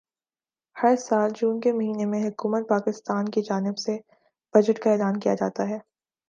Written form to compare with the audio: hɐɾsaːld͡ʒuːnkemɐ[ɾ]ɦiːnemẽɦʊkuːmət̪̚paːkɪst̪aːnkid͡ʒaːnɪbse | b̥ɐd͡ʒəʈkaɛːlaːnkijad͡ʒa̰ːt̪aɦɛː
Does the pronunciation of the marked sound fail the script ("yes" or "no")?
yes